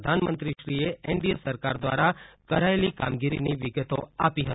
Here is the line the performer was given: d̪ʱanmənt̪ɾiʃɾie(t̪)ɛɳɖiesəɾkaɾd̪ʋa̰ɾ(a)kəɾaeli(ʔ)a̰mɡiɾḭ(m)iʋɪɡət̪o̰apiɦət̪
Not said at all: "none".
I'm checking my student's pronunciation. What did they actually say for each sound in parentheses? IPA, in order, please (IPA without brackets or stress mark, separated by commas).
none, a, k, n